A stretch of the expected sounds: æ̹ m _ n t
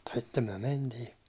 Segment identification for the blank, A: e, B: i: A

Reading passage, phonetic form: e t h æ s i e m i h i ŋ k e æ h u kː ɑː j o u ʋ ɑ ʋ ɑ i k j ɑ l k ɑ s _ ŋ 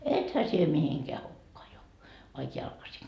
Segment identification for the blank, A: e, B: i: B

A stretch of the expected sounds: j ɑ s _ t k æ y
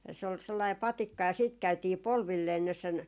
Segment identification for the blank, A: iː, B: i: A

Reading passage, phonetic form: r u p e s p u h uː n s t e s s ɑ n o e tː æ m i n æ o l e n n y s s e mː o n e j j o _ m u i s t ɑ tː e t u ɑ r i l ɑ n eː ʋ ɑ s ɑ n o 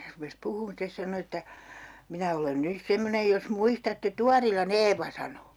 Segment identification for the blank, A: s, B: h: A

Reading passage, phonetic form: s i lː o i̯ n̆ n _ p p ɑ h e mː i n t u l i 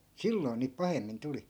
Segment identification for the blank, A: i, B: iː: B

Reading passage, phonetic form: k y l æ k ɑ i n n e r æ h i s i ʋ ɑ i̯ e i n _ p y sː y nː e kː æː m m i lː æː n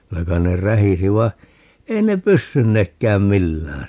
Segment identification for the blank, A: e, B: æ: A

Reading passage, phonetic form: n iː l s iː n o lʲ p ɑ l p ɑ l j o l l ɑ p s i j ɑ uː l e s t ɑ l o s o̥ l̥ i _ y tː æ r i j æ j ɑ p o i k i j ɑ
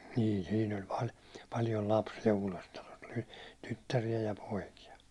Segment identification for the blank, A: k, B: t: B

